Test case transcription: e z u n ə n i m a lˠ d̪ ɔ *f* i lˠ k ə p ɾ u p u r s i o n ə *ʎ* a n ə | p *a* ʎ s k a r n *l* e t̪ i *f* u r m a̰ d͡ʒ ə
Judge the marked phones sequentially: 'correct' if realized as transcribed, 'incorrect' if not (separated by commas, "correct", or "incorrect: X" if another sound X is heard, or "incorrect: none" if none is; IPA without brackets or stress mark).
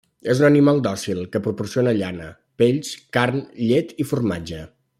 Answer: incorrect: s, correct, incorrect: e, incorrect: ʎ, correct